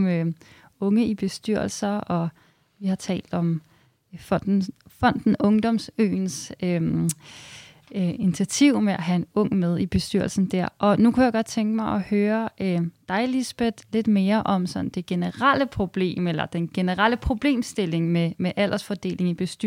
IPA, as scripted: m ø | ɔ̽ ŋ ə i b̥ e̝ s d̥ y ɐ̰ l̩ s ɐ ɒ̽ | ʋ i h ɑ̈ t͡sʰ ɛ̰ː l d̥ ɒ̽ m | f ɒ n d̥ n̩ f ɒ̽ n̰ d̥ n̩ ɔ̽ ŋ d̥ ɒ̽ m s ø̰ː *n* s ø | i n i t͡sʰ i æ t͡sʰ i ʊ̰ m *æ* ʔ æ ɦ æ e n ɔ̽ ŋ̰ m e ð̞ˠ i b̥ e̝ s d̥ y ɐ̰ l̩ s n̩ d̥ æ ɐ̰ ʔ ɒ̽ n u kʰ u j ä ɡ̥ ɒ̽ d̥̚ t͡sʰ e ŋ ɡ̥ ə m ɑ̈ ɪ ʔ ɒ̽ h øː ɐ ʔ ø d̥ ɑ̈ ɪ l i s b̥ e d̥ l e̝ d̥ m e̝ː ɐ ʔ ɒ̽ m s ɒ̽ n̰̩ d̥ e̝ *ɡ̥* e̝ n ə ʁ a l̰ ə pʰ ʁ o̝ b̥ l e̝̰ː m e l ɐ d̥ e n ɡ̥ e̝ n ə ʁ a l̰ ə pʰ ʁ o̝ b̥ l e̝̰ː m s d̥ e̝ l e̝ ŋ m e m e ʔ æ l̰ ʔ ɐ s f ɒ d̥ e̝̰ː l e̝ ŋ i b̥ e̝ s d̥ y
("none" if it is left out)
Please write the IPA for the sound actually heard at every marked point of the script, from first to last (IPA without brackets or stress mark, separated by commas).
n, e, ɡ̥